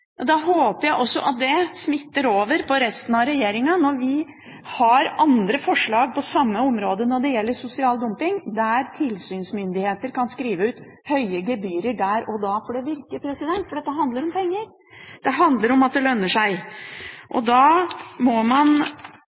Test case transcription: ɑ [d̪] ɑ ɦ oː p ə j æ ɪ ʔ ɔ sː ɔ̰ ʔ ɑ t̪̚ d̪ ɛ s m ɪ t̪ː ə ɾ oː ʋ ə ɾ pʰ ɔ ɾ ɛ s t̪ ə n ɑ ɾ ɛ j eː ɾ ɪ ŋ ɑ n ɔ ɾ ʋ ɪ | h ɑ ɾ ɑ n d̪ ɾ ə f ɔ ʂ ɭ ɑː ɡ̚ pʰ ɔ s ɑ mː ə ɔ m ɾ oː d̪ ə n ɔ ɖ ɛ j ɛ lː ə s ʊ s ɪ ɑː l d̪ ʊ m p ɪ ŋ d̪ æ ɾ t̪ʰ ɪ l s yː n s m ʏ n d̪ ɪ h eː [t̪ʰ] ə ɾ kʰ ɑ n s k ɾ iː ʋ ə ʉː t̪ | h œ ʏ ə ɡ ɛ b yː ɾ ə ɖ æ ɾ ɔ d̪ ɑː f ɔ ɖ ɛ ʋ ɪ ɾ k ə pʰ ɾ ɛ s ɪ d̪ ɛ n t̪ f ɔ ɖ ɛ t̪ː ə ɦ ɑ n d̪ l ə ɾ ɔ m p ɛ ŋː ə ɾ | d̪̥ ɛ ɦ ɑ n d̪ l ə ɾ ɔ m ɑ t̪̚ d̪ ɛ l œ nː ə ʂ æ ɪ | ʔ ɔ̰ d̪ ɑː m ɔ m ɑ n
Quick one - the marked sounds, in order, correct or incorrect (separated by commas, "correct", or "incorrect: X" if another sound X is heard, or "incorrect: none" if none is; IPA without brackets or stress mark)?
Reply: correct, incorrect: t̪